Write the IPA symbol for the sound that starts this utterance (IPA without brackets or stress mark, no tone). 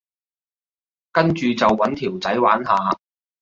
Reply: k